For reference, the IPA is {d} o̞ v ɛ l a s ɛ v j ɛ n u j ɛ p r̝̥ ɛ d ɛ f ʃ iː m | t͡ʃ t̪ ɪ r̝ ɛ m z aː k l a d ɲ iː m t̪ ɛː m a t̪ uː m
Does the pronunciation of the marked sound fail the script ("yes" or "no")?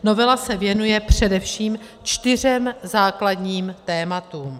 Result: yes